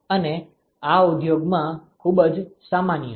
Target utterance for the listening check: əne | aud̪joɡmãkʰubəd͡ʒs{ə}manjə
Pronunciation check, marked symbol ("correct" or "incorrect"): incorrect